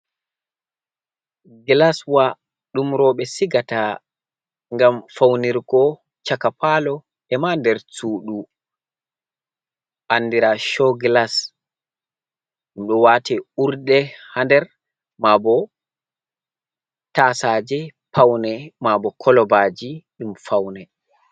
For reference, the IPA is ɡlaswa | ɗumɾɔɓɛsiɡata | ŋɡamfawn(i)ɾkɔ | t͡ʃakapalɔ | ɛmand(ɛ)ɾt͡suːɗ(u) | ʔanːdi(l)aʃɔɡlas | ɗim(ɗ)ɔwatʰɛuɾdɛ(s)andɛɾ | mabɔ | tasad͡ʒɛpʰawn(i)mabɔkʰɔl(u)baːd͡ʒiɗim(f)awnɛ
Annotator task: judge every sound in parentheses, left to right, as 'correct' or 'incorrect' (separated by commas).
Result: correct, correct, correct, incorrect, correct, incorrect, incorrect, incorrect, correct